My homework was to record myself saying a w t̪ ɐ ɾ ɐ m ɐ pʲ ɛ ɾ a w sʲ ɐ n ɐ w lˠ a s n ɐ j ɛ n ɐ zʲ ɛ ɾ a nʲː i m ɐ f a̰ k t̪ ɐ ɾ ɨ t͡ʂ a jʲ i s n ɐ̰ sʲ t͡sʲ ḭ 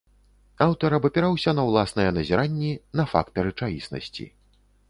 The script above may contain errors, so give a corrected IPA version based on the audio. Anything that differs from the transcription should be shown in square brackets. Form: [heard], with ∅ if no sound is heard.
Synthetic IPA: a w t̪ ɐ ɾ ɐ [b] ɐ pʲ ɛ ɾ a w sʲ ɐ n ɐ w lˠ a s n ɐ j ɛ n ɐ zʲ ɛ ɾ a nʲː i [n] ɐ f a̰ k t̪ ɐ ɾ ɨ t͡ʂ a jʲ i s n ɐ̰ sʲ t͡sʲ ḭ